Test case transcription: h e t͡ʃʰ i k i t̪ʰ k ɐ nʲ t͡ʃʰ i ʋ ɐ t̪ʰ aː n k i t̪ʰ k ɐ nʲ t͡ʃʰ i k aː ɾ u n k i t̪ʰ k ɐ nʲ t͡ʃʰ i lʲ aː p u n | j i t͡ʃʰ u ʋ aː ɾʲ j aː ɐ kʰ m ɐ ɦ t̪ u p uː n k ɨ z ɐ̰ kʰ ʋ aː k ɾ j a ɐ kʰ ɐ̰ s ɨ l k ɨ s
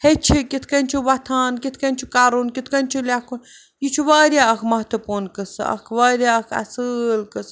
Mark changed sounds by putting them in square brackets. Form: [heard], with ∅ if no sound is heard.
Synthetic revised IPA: h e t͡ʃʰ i k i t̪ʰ k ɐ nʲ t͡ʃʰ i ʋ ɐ t̪ʰ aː n k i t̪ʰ k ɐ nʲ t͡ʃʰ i k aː ɾ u n k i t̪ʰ k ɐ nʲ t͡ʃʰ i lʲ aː [k] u n | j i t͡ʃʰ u ʋ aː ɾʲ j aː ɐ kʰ m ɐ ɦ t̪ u p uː n k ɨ [s] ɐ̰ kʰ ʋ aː [∅] ɾ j a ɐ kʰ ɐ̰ s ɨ l k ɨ s